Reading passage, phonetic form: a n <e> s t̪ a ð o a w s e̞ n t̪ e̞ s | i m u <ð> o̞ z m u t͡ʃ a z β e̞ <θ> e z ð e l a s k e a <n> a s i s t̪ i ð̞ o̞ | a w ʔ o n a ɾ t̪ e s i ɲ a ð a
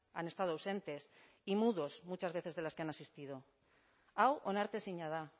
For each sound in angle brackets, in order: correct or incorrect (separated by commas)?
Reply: correct, correct, correct, correct